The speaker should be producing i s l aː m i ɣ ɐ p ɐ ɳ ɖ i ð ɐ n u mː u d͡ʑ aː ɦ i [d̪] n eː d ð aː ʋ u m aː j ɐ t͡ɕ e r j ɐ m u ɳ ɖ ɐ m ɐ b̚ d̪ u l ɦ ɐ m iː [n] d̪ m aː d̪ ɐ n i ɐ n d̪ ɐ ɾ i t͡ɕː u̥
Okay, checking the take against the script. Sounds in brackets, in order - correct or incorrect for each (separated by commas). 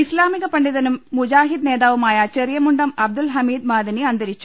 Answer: correct, incorrect